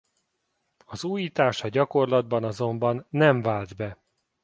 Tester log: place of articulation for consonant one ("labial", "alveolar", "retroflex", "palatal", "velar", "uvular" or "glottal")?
alveolar